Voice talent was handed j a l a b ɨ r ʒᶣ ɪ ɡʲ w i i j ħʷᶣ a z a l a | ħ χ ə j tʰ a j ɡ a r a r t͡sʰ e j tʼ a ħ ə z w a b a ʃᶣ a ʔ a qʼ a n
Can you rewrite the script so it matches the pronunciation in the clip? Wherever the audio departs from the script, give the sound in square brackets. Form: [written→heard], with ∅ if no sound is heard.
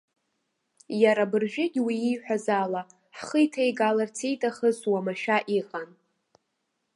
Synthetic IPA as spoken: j a [l→ɾ] a b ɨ r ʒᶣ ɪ ɡʲ w i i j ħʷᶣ a z a l a | ħ χ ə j tʰ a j ɡ a [r→l] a r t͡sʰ e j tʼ a [ħ→χ] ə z w a [b→m] a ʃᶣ a ʔ [a→i] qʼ a n

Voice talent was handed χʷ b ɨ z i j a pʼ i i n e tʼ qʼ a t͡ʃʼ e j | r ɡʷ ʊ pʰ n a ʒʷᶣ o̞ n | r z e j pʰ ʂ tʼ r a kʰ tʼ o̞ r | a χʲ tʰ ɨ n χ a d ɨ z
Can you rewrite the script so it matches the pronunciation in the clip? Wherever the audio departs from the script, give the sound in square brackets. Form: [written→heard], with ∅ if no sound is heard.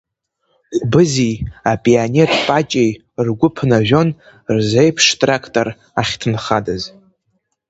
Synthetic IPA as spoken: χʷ b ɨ z i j a pʼ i [i→a] n e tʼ [qʼ→pʼ] a t͡ʃʼ e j | r ɡʷ ʊ pʰ n a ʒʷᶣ o̞ n | r z e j pʰ ʂ tʼ r a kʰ tʼ o̞ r | a χʲ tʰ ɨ n χ a d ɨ z

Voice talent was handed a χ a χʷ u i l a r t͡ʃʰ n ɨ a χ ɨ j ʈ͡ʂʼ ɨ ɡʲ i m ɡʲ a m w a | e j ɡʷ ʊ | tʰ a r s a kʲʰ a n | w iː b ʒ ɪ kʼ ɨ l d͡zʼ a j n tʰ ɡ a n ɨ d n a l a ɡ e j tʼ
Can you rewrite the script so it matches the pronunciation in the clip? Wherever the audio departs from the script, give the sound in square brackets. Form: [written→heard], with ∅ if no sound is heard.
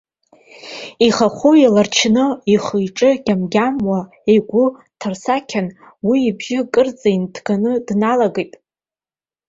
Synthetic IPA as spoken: [a→i] χ a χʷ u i l a r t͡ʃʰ n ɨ [a→i] χ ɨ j ʈ͡ʂʼ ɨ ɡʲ [i→a] m ɡʲ a m w a | e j ɡʷ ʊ | tʰ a r s a kʲʰ a n | w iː b ʒ ɪ kʼ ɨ [l→r] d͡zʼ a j n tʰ ɡ a n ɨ d n a l a ɡ e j tʼ

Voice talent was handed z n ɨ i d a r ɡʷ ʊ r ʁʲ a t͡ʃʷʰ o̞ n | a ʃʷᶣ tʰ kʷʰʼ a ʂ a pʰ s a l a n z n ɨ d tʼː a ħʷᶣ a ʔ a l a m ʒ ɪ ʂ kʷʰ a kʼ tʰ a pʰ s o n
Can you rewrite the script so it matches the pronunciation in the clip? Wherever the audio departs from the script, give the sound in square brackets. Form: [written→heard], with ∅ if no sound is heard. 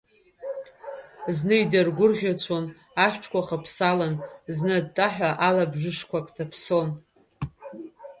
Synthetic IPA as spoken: z n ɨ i d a r ɡʷ ʊ r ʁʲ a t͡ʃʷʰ o̞ n | a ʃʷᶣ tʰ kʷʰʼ a [ʂ→χ] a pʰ s a l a n z n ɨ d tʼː a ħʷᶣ a ʔ a l a [m→b] ʒ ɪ ʂ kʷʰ a kʼ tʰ a pʰ s o n

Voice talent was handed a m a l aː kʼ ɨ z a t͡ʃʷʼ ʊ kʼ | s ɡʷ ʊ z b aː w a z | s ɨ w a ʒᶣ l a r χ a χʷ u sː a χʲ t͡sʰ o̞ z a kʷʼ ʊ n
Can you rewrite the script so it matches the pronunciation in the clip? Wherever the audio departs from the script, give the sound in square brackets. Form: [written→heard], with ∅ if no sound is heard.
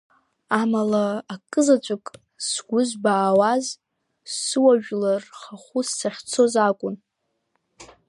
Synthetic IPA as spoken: a m a l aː kʼ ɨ z a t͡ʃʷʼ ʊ kʼ | s ɡʷ ʊ z b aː w a z | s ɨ w a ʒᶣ l a r χ a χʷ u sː a χʲ t͡sʰ o̞ z a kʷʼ ʊ n

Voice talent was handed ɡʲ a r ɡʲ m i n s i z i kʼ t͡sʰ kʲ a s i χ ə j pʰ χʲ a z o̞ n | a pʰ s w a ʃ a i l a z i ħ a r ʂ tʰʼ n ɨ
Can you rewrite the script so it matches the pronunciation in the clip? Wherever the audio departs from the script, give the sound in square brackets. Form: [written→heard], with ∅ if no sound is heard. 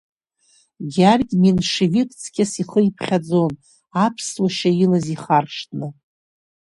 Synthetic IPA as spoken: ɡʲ a r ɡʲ m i n [s→ʂ] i [z→v] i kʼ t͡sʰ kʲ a s i χ ə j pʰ χʲ a [z→d͡z] o̞ n | a pʰ s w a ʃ a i l a z i [ħ→χ] a r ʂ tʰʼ n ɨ

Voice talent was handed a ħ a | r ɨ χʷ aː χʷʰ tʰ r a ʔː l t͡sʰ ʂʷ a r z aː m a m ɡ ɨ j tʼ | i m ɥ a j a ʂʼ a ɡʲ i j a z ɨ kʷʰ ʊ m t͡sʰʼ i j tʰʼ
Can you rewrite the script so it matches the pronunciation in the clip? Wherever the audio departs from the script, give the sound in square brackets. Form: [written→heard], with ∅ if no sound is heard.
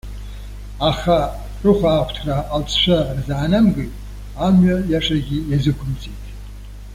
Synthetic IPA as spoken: a [ħ→χ] a | r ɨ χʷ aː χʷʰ tʰ r a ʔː l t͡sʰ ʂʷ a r z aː [m→n] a m ɡ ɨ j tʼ | [i→a] m ɥ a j a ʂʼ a ɡʲ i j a z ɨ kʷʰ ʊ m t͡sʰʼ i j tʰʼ

